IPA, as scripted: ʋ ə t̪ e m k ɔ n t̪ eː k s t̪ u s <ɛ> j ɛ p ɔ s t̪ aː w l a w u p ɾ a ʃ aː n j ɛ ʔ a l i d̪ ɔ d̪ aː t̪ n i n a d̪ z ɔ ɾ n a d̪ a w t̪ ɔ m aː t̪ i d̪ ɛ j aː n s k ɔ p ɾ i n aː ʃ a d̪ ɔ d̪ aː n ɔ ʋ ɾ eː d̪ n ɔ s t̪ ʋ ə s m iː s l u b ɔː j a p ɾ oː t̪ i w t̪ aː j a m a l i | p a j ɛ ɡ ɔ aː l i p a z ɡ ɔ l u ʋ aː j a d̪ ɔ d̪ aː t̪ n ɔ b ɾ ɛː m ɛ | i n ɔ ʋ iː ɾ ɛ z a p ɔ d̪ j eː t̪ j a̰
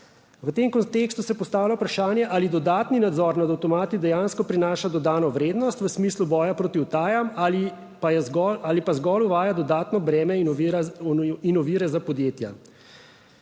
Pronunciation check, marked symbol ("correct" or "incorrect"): correct